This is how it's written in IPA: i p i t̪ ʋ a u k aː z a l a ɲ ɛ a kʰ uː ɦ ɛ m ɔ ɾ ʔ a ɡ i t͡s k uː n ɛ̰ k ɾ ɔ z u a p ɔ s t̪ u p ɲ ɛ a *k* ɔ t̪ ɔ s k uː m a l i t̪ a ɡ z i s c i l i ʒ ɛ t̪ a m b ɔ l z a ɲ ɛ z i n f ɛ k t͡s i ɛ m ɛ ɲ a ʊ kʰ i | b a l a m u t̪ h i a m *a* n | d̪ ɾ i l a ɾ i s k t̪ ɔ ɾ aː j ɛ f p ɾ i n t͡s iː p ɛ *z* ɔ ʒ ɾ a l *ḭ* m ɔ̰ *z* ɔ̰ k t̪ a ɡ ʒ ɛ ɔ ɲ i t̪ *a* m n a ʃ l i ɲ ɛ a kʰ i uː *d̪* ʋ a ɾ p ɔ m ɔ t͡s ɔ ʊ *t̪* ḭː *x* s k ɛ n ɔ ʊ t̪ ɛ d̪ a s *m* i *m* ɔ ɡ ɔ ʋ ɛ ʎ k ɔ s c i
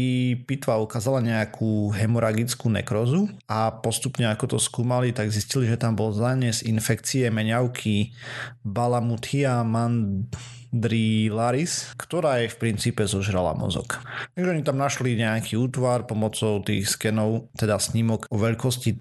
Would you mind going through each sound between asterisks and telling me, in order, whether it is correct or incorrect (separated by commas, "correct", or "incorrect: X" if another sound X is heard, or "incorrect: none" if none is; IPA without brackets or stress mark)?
correct, correct, correct, incorrect: a̰, correct, correct, incorrect: t̪, correct, correct, incorrect: ɲ, correct